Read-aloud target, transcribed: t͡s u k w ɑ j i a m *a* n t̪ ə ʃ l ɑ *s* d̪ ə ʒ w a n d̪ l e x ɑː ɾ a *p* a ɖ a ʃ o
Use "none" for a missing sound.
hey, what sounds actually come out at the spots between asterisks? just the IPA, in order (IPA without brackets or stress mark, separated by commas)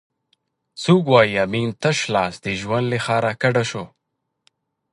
i, s, k